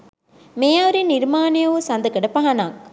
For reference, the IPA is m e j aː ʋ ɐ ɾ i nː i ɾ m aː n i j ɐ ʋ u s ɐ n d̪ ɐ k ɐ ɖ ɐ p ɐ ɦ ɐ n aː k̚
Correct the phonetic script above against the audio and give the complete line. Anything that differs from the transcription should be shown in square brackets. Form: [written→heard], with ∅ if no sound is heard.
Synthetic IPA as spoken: m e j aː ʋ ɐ ɾ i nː i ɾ m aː n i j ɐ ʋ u s ɐ n d̪ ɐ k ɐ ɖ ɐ p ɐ ɦ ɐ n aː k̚